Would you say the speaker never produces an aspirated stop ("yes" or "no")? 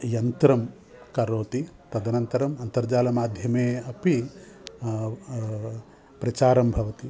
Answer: yes